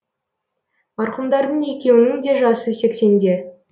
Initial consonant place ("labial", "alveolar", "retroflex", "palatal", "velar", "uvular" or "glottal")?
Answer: labial